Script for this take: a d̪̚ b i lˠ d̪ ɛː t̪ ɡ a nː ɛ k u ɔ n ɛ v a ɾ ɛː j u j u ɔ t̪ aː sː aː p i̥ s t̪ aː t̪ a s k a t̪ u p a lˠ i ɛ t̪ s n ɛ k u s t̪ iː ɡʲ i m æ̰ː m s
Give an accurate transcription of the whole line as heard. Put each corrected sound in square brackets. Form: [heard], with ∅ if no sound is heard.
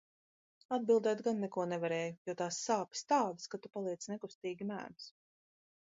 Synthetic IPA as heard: a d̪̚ b i lˠ d̪ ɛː t̪ ɡ a nː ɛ k u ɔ n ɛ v a ɾ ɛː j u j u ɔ t̪ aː sː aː p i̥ s t̪ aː [d̪] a s k a t̪ u p a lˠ i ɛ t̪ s n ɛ k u s t̪ iː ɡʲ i m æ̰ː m s